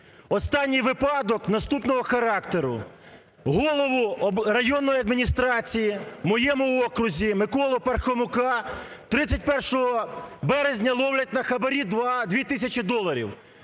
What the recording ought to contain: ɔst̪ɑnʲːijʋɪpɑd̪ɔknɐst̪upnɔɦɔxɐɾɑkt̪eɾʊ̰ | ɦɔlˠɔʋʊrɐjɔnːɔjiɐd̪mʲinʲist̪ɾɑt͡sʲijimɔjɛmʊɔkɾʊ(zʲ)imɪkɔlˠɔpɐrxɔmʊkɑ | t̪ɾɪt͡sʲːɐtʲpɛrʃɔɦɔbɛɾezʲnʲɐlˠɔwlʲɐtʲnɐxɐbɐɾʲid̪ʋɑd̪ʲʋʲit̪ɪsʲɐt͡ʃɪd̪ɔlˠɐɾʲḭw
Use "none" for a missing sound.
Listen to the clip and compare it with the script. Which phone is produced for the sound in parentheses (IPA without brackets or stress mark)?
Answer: zʲ